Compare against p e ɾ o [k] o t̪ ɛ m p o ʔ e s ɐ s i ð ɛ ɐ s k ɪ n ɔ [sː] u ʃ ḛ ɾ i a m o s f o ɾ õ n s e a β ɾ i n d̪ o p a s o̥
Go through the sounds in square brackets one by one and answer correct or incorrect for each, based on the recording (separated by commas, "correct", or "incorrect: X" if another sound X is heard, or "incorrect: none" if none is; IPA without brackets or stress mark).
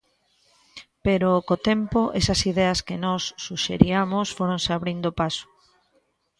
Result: correct, correct